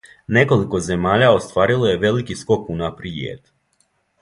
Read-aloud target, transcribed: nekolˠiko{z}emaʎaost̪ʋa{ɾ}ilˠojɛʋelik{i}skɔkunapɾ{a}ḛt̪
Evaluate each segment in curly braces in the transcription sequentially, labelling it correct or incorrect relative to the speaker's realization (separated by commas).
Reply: correct, correct, correct, incorrect